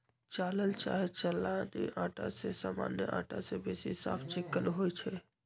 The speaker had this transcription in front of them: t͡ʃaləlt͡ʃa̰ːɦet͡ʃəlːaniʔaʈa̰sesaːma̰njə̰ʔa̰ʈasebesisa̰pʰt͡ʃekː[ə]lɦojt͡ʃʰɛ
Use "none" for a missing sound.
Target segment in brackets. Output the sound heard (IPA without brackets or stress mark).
ə